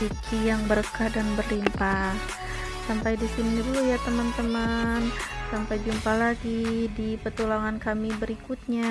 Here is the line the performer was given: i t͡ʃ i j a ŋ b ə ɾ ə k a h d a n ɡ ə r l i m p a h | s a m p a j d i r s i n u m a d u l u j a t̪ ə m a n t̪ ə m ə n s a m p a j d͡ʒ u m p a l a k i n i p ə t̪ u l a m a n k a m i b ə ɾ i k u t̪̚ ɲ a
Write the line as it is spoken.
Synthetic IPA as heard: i t͡ʃ i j a ŋ b ə ɾ ə k a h d a n b ə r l i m p a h | s a m p a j d i s i n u ɲ a d u l u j a t̪ ə m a n t̪ ə m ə n s a m p a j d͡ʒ u m p a l a ɡ i d i p ə t̪ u l a ŋ a n k a m i b ə ɾ i k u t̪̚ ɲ a